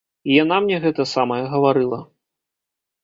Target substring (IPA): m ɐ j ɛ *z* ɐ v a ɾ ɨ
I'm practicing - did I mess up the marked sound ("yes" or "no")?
yes